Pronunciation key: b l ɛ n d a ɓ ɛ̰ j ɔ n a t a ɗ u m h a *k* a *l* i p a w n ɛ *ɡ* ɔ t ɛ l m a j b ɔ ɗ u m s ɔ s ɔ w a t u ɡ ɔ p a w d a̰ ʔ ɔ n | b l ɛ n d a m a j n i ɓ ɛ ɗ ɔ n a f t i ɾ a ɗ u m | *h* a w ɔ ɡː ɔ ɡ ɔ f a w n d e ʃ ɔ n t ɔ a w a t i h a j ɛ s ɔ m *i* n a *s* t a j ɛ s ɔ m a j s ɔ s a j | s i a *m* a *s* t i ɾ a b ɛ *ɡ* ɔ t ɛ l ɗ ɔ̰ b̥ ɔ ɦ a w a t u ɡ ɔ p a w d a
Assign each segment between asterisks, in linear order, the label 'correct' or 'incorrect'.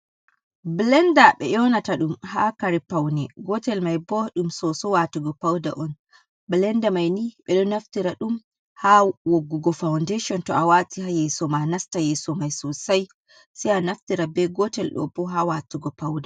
correct, incorrect, correct, correct, incorrect, correct, incorrect, incorrect, correct

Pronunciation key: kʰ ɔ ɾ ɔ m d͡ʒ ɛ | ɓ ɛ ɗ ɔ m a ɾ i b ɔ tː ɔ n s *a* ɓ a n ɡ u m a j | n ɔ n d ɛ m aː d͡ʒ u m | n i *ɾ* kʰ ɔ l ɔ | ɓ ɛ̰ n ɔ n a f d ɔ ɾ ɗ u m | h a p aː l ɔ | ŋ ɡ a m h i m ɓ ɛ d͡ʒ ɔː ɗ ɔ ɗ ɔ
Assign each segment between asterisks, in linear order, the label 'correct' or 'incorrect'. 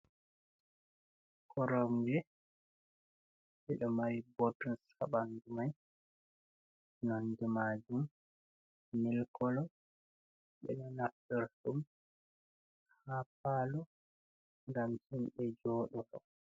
correct, incorrect

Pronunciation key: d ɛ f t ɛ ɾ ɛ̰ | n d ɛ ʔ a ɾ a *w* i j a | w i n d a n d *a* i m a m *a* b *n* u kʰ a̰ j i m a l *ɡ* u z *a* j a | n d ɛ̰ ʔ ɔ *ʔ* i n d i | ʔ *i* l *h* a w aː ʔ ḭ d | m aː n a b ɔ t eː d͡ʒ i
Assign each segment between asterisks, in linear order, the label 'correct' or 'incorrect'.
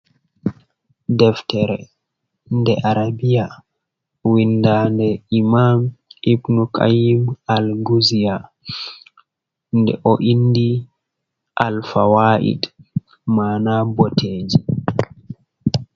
incorrect, incorrect, incorrect, correct, correct, incorrect, correct, incorrect, incorrect

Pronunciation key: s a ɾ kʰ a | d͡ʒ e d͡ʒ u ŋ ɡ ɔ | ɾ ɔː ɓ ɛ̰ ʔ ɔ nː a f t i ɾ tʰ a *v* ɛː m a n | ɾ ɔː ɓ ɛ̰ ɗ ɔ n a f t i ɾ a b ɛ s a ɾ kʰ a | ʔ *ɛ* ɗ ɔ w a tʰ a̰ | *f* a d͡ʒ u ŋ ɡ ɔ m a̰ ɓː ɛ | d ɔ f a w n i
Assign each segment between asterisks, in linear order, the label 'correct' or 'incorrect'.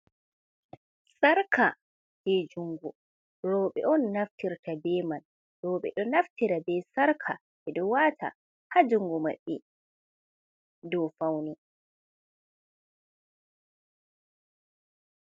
incorrect, correct, incorrect

